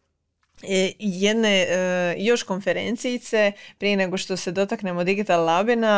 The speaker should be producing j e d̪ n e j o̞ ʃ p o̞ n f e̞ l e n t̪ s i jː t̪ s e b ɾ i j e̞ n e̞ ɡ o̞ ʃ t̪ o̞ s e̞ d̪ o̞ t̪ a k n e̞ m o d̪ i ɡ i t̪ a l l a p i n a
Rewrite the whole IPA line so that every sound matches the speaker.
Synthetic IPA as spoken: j e d̪ n e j o̞ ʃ k o̞ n f e̞ ɾ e n t̪ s i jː t̪ s e p ɾ i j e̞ n e̞ ɡ o̞ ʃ t̪ o̞ s e̞ d̪ o̞ t̪ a k n e̞ m o d̪ i ɡ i t̪ a l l a b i n a